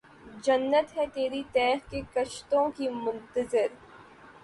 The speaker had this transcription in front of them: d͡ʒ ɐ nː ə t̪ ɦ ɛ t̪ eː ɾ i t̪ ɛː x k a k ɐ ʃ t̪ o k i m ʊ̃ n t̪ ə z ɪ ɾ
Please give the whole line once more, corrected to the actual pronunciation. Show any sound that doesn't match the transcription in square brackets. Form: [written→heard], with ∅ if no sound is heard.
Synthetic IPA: d͡ʒ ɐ nː ə t̪ ɦ ɛ t̪ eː ɾ i t̪ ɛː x k [a→e] k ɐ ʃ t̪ [o→õ] k i m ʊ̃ n t̪ ə z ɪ ɾ